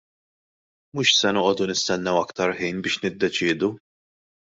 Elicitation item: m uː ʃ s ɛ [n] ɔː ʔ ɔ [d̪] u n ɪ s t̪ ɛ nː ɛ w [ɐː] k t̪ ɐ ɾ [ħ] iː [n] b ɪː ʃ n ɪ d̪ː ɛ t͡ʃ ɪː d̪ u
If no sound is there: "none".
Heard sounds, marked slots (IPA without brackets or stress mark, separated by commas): n, d̪, ɐ, ħ, n